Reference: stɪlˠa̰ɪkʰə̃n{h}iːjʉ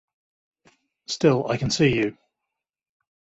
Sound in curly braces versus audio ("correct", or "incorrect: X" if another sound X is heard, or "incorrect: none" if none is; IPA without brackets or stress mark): incorrect: s